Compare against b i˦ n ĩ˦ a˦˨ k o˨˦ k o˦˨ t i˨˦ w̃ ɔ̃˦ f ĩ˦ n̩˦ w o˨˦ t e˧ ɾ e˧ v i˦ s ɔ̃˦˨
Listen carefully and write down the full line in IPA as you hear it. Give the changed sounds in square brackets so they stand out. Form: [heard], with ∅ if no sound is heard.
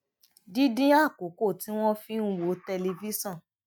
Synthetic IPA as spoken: [d] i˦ [d] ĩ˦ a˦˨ k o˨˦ k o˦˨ t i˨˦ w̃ ɔ̃˦ f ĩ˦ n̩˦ w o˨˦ t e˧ [l] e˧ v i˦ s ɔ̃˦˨